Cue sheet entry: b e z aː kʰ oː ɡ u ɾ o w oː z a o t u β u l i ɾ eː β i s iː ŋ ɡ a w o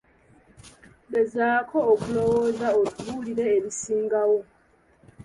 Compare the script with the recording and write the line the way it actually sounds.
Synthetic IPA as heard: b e z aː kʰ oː k u l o w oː z a o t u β u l i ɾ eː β i s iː ŋ ɡ a w o